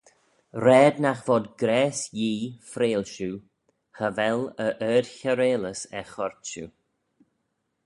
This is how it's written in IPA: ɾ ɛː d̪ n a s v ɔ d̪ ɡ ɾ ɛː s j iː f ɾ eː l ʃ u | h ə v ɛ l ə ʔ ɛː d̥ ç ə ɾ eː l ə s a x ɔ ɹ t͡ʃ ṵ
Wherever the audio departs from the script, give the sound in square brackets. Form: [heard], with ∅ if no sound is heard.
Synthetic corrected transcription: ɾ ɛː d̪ n a [x] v ɔ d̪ ɡ ɾ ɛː s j iː f ɾ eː l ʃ u | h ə v ɛ l ə ʔ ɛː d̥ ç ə ɾ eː l ə s [ɛ] x ɔ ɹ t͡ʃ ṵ